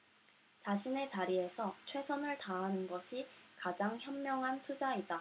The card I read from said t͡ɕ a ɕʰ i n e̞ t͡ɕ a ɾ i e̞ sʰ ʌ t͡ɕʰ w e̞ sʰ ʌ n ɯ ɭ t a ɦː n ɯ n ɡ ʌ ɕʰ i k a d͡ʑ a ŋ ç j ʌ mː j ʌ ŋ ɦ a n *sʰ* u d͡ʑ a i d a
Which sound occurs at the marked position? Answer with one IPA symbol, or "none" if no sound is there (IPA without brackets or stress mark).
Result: tʰ